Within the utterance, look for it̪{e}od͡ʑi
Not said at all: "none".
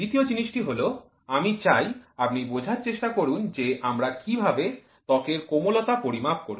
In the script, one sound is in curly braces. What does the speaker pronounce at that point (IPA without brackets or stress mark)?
i